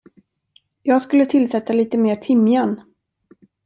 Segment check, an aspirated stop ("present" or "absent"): present